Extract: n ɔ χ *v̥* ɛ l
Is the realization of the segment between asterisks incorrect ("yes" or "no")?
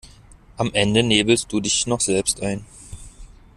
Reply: yes